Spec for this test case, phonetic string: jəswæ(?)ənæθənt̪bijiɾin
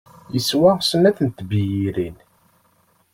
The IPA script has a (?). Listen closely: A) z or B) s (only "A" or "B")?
B